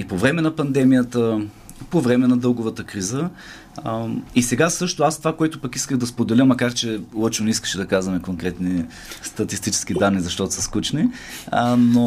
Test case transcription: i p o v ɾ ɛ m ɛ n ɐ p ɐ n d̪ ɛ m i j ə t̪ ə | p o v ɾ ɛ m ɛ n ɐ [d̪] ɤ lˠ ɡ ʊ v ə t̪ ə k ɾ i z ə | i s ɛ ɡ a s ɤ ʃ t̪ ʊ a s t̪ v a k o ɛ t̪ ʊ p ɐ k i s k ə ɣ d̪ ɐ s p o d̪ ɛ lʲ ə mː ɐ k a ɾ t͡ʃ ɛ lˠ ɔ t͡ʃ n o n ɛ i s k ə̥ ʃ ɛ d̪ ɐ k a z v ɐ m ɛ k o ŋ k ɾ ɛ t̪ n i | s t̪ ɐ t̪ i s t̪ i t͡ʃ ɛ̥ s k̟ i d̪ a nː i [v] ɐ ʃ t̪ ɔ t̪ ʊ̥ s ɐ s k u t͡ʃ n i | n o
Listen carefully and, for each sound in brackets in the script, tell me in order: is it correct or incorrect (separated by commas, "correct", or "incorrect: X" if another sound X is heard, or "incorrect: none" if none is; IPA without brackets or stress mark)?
correct, incorrect: z